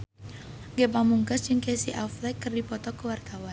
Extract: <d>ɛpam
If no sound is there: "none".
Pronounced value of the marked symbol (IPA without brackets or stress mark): ɡ